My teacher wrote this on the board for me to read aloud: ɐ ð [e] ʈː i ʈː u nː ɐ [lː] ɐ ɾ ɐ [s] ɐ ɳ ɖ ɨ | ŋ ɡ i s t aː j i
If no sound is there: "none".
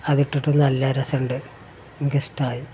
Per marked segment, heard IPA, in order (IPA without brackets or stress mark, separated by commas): i, lː, s